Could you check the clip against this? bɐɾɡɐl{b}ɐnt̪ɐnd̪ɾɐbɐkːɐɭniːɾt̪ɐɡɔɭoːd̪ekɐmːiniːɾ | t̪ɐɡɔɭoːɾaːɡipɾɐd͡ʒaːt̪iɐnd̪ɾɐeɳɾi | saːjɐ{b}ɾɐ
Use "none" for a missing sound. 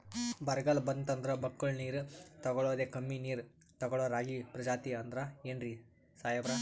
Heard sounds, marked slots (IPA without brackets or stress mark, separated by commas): b, b